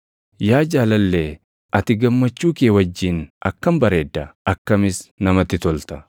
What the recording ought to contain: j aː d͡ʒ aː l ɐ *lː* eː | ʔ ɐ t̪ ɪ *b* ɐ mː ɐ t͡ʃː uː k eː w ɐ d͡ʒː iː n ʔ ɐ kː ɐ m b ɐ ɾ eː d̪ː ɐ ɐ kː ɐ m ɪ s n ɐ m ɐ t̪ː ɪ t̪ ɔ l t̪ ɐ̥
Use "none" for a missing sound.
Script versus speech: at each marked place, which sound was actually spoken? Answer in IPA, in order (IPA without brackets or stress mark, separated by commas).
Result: lː, ɡ